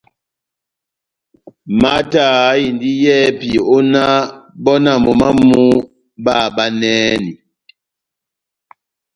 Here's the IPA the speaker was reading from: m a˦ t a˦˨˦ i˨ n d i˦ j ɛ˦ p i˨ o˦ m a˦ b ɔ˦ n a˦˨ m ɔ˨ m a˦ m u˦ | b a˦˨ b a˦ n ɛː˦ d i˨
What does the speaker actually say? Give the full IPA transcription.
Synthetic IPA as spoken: m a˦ t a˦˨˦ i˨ n d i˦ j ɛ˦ p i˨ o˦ n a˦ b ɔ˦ n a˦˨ m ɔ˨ m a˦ m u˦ | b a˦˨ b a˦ n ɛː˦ n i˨